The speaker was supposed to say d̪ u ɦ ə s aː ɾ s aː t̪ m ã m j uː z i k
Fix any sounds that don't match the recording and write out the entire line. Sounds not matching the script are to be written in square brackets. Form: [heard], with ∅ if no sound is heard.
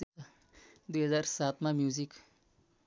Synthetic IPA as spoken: d̪ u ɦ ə [z] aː ɾ s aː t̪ m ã m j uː z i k